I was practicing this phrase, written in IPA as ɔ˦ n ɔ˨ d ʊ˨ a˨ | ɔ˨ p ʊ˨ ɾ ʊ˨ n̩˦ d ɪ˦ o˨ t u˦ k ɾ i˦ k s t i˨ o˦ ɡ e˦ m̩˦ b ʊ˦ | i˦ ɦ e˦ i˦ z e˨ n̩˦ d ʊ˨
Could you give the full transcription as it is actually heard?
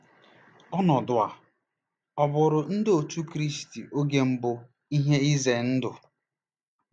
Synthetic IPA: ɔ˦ n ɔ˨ d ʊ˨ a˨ | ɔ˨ b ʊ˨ ɾ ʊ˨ n̩˦ d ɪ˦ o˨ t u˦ k ɾ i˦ s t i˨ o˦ ɡ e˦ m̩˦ b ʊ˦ | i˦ ɦ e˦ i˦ z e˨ n̩˦ d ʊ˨